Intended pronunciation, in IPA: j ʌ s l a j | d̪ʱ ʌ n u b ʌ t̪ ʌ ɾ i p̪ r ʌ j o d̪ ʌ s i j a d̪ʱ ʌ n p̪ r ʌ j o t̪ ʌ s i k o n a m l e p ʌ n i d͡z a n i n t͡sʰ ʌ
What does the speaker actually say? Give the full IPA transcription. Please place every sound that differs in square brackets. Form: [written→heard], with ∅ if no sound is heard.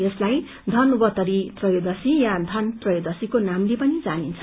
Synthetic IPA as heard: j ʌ s l a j | d̪ʱ ʌ n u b ʌ t̪ ʌ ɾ i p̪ r ʌ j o d̪ ʌ s i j a d̪ʱ ʌ n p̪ r ʌ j o [t̪→d̪] ʌ s i k o n a m l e p ʌ n i d͡z a n i n t͡sʰ ʌ